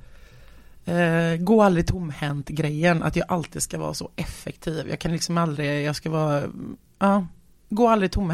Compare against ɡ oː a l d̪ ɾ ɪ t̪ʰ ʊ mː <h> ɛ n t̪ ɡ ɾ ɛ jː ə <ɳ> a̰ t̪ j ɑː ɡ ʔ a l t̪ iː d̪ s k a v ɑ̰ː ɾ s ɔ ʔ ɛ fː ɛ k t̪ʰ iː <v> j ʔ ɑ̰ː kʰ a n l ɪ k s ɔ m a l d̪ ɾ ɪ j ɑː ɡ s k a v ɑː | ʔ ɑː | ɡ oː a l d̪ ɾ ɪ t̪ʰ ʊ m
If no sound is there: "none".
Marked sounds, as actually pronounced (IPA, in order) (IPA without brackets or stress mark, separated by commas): h, n, v